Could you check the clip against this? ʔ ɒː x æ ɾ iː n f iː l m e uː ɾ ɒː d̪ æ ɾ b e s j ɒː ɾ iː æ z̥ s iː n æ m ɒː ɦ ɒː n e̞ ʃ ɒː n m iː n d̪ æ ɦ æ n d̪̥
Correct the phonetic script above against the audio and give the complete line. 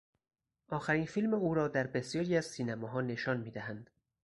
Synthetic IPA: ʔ ɒː x æ ɾ iː n f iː l m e uː ɾ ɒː d̪ æ ɾ b e s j ɒː ɾ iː æ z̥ s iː n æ m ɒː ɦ ɒː n e̞ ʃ ɒː n m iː d̪ æ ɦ æ n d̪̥